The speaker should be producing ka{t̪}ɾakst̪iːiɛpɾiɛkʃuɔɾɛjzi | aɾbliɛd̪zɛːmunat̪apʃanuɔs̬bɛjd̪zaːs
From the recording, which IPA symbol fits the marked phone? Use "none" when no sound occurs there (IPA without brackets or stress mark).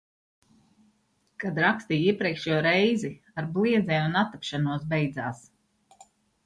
d̪